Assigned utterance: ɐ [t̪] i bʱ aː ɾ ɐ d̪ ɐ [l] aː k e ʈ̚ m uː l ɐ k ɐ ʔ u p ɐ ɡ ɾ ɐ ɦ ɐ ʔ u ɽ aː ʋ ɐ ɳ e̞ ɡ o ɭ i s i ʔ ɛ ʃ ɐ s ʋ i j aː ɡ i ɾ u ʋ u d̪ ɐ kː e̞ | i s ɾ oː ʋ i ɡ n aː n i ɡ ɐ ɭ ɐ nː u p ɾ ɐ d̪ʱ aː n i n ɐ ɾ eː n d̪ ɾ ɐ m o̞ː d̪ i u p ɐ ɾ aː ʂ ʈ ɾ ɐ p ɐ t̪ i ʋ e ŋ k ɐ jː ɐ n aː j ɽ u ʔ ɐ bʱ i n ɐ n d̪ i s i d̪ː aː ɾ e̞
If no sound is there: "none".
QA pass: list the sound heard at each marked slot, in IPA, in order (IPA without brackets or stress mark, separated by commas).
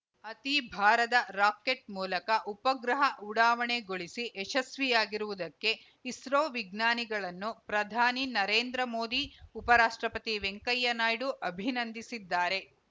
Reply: t̪, ɾ